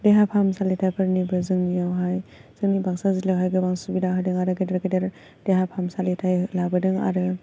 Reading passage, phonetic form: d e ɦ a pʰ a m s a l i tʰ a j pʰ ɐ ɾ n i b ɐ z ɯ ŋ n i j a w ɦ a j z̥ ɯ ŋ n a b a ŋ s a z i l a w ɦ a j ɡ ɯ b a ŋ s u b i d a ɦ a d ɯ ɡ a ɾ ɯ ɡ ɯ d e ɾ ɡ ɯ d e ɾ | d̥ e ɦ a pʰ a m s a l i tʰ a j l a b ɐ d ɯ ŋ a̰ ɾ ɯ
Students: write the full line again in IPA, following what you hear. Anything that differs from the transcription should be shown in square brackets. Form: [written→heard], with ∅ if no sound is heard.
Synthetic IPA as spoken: d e ɦ a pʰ a m s a l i tʰ a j pʰ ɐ ɾ n i b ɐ z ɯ ŋ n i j a w ɦ a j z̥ ɯ ŋ n [a→i] b a ŋ s a z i l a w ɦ a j ɡ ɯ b a ŋ s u b i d a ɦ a d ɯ [ɡ→ŋ] a ɾ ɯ ɡ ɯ d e ɾ ɡ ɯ d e ɾ | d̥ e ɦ a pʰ a m s a l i tʰ a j l a b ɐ d ɯ ŋ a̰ ɾ ɯ